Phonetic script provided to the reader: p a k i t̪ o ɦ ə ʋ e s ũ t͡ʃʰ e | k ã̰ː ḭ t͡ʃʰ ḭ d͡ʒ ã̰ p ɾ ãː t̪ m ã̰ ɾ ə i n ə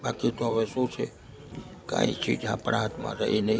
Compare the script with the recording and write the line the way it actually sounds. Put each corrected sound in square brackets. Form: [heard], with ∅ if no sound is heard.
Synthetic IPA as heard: [b] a k i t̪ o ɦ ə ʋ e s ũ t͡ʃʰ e | k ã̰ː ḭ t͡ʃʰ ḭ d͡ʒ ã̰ p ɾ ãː t̪ m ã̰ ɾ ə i n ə